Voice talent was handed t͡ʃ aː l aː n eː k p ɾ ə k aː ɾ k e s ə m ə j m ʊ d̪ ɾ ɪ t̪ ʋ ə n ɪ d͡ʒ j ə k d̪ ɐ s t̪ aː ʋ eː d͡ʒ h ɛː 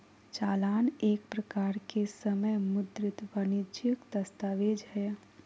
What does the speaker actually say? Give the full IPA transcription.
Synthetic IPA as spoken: t͡ʃ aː l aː n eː k p ɾ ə k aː ɾ k e s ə m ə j m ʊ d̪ ɾ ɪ t̪ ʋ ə n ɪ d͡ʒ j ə k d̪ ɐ s t̪ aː ʋ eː d͡ʒ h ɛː